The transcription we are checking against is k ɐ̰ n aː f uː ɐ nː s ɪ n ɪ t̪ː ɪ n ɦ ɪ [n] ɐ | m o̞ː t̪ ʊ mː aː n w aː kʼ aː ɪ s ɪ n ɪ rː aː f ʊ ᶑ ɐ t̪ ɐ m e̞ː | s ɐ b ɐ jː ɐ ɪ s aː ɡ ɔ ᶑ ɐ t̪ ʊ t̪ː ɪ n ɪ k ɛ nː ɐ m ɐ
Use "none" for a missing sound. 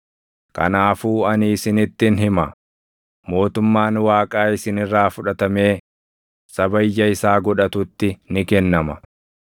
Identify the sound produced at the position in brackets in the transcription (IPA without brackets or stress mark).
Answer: m